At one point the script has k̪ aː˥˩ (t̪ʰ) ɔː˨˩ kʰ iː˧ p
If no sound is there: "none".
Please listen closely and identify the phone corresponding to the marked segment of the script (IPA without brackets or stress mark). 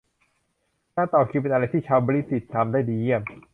t̪